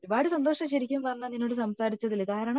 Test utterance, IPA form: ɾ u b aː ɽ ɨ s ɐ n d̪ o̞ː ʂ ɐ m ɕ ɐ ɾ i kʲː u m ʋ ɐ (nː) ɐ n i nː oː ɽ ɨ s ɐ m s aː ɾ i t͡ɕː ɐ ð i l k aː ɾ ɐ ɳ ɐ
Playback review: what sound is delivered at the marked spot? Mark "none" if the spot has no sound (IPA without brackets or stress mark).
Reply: nː